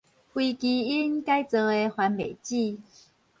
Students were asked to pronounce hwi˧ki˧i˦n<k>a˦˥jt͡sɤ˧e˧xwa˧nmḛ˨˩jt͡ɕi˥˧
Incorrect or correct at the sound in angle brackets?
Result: correct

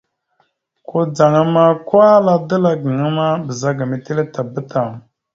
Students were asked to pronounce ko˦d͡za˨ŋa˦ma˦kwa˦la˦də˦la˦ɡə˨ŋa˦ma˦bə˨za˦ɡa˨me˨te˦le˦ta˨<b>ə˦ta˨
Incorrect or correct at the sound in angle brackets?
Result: correct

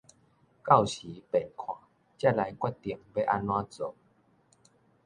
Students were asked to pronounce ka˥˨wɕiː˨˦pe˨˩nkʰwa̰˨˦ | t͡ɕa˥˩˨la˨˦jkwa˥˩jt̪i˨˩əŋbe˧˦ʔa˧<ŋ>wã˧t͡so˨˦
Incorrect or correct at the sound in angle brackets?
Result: incorrect: n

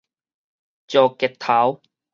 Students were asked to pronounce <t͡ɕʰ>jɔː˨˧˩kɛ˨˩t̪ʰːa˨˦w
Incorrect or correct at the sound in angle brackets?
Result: incorrect: t͡ɕ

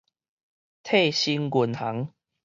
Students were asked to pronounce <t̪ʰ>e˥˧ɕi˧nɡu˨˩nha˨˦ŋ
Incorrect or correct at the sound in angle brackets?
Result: correct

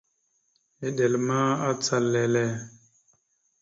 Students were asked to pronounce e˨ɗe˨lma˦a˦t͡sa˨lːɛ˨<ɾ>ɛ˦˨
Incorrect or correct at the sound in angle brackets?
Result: incorrect: l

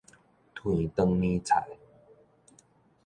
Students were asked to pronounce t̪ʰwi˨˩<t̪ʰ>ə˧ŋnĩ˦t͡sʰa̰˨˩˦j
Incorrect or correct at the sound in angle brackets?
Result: incorrect: t̪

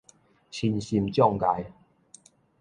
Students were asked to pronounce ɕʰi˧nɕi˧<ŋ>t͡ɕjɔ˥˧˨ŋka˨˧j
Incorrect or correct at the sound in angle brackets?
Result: incorrect: m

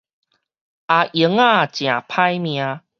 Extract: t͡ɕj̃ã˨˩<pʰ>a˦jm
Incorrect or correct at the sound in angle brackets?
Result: correct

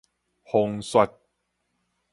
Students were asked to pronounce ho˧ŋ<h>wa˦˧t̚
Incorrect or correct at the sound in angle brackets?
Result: incorrect: s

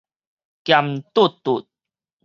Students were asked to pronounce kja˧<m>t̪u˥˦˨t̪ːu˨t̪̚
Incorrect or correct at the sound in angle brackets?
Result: correct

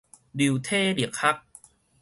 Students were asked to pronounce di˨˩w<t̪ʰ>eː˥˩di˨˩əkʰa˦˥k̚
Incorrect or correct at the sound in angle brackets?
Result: correct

